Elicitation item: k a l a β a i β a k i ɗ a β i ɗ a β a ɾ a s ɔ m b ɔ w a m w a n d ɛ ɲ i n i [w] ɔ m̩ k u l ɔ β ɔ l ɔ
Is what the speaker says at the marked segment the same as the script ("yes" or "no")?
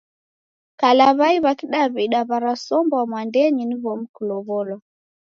no